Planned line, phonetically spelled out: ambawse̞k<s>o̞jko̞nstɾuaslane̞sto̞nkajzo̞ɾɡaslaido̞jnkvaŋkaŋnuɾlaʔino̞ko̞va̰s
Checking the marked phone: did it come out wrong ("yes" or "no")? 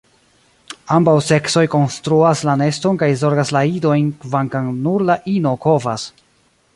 no